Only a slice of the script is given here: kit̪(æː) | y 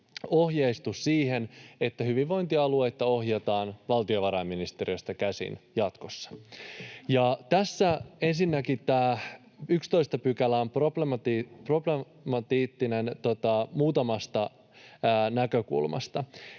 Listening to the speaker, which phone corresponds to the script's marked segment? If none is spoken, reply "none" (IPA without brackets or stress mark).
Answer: æː